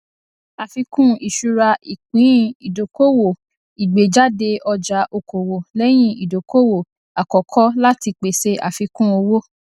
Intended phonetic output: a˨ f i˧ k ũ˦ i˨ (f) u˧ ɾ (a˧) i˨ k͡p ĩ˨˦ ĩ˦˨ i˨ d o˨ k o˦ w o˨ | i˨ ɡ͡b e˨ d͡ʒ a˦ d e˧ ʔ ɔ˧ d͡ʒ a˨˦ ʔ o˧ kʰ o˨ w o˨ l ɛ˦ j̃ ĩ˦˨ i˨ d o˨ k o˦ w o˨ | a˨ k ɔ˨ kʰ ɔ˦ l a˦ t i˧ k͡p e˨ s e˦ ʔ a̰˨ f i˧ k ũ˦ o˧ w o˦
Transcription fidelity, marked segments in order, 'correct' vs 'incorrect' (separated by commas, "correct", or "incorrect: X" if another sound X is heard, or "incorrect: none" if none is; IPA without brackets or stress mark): incorrect: ʃ, correct